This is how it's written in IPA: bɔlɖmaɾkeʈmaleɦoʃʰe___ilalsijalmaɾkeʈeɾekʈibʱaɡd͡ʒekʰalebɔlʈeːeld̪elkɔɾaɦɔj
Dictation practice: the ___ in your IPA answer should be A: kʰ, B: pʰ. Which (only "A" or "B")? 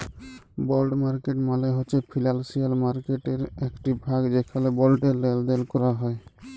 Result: B